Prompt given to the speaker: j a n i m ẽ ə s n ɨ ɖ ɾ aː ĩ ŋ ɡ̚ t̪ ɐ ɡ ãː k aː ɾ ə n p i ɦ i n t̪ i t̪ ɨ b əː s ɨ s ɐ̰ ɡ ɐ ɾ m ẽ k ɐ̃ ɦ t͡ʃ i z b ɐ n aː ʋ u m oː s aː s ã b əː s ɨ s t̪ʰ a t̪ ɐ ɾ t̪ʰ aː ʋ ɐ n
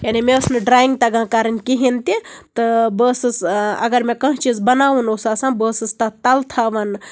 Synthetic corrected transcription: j a n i m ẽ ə s n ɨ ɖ ɾ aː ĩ ŋ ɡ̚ t̪ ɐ ɡ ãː k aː ɾ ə n k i ɦ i n t̪ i t̪ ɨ b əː s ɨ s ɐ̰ ɡ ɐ ɾ m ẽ k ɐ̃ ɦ t͡ʃ i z b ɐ n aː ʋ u n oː s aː s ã b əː s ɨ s t̪ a t̪ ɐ l t̪ʰ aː ʋ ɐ n